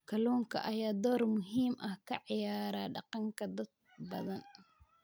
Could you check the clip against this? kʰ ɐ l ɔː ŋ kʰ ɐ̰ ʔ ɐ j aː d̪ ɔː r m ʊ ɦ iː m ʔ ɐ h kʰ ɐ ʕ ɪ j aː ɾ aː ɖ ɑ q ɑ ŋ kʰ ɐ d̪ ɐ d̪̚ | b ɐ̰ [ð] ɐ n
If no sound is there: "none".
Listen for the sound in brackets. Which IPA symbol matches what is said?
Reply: ð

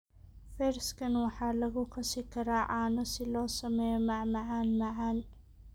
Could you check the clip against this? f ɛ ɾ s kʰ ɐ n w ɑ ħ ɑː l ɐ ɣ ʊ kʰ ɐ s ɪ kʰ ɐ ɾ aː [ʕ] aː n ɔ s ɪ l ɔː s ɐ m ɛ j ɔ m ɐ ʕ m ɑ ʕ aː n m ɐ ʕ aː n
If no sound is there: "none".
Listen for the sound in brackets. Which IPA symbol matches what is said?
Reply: ʕ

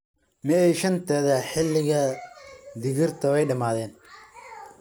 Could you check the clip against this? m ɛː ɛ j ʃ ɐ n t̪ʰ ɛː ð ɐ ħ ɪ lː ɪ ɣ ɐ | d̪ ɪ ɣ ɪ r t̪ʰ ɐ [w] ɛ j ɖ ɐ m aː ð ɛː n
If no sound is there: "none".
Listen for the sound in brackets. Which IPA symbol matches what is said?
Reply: w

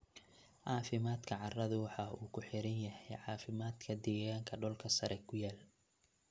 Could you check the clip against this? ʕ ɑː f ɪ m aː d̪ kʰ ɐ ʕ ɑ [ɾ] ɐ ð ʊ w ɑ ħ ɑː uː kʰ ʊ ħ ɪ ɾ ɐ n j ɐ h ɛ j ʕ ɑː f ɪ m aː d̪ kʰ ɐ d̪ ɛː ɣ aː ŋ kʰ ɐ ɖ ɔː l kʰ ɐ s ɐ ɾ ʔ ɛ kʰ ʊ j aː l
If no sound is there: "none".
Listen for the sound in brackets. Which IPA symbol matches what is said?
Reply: r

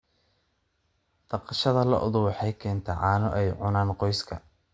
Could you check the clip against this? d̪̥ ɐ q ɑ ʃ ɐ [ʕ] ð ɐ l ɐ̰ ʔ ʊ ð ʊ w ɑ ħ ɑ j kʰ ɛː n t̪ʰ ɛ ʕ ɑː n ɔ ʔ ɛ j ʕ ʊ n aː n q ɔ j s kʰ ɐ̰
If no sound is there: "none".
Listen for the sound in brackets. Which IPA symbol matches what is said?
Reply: none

